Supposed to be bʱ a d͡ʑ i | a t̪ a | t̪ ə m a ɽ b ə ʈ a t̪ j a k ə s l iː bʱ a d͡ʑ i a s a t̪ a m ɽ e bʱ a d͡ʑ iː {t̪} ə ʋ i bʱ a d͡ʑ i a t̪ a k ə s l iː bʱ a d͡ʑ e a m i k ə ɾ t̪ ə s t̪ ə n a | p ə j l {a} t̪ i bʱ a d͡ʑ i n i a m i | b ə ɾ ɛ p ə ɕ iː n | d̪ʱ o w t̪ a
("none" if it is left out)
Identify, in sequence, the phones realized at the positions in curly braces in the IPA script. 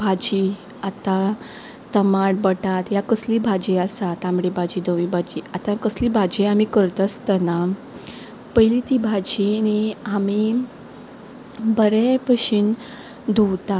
d̪, i

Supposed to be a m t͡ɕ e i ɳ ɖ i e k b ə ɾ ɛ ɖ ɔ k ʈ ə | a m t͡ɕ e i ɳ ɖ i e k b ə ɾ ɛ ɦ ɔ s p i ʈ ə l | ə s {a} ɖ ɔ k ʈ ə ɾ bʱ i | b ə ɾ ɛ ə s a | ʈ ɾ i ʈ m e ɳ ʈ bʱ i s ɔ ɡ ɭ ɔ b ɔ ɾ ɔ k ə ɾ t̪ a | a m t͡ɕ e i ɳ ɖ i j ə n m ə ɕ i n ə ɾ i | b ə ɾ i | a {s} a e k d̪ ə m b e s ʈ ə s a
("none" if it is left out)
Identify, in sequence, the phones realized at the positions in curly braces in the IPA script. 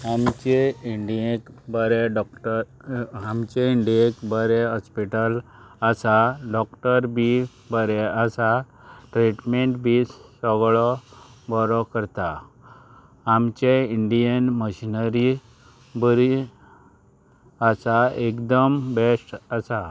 a, s

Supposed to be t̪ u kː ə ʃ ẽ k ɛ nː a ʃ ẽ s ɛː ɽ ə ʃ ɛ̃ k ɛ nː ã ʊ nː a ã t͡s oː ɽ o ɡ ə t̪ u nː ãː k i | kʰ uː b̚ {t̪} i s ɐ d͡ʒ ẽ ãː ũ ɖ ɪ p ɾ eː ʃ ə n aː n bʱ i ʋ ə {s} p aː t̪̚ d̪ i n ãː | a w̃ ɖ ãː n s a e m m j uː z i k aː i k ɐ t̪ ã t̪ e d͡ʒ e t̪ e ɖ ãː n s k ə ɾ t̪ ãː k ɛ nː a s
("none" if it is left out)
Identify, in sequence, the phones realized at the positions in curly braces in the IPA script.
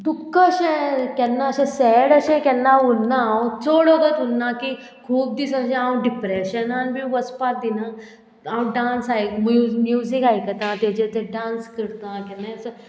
d̪, s

